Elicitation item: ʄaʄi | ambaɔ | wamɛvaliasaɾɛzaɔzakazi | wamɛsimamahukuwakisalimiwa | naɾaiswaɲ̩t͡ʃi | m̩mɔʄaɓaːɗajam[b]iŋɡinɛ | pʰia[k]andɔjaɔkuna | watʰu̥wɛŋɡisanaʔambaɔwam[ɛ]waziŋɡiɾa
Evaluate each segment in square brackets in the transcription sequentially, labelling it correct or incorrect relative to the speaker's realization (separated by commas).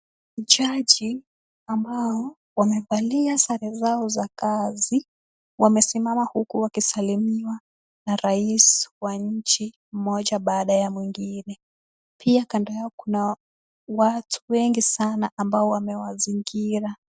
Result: incorrect, correct, correct